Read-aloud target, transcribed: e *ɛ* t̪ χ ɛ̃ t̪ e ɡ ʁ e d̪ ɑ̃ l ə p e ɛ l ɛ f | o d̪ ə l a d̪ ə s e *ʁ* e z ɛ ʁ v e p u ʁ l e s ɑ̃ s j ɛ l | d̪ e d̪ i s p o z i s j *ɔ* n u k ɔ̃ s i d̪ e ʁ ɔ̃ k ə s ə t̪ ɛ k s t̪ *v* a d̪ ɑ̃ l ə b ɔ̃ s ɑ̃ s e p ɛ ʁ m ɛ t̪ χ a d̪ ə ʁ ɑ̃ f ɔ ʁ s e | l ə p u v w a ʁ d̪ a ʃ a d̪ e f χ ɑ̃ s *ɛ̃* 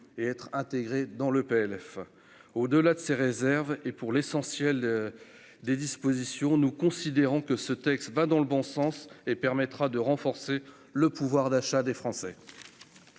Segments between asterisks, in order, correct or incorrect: correct, correct, incorrect: ɔ̃, correct, incorrect: ɛ

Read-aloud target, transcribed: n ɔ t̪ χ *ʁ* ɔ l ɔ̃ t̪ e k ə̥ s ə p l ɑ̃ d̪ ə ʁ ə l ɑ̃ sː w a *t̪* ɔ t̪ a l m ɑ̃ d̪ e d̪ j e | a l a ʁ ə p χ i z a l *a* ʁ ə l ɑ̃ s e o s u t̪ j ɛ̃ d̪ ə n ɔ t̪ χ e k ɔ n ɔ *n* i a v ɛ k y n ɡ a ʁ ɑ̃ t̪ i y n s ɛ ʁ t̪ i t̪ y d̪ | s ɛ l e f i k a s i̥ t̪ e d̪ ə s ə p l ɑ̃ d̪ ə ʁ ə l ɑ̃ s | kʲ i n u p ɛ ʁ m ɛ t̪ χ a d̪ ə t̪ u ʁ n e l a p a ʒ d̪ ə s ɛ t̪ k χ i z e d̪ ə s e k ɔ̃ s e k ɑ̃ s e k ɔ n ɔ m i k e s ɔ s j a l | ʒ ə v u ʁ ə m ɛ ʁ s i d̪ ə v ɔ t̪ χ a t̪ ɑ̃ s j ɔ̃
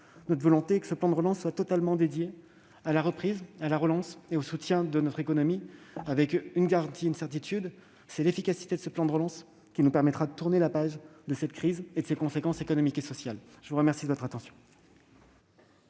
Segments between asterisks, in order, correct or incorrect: incorrect: v, correct, correct, incorrect: m

